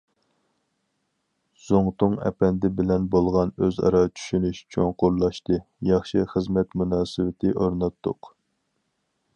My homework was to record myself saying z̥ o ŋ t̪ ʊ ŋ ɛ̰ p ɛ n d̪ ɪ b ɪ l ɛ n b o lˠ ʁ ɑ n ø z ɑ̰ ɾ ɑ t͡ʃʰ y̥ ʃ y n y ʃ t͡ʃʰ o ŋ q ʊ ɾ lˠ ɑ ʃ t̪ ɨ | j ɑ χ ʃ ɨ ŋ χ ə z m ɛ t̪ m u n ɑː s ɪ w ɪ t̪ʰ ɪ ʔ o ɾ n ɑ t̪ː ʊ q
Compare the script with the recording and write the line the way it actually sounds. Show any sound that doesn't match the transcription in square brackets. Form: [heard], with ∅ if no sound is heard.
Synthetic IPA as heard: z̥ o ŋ t̪ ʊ ŋ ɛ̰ p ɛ n d̪ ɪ b ɪ l ɛ n b o lˠ ʁ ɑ n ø z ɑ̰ ɾ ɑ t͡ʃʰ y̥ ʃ y n y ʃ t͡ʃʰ o ŋ q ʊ ɾ lˠ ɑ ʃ t̪ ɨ | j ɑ χ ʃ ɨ [∅] χ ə z m ɛ t̪ m u n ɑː s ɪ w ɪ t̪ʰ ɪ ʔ o ɾ n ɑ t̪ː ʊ q